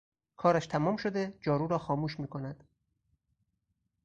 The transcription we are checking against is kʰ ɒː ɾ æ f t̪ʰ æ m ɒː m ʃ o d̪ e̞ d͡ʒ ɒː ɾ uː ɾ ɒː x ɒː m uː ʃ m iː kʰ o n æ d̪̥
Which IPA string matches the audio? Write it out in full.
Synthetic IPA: kʰ ɒː ɾ æ ʃ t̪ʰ æ m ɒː m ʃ o d̪ e̞ d͡ʒ ɒː ɾ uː ɾ ɒː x ɒː m uː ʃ m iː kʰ o n æ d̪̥